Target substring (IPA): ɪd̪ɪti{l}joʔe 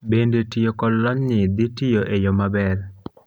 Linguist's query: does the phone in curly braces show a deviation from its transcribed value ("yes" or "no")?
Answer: yes